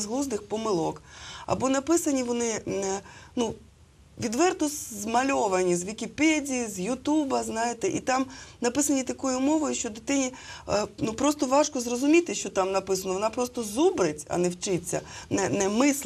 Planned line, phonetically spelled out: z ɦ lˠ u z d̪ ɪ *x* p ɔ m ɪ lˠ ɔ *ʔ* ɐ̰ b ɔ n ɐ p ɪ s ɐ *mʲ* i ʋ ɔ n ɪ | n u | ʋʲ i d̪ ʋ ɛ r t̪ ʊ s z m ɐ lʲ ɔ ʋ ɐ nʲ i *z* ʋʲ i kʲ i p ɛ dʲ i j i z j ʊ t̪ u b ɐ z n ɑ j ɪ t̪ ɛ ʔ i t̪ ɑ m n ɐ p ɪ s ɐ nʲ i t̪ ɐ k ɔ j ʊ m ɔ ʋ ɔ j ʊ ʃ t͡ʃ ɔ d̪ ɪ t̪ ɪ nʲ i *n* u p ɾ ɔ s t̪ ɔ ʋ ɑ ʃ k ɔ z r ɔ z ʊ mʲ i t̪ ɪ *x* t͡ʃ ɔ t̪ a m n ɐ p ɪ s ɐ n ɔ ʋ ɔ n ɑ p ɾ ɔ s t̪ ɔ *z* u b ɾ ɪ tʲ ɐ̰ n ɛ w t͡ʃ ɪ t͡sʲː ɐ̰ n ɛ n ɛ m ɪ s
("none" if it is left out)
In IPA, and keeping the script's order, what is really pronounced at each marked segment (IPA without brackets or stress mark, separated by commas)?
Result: x, k, nʲ, z, n, ʃ, z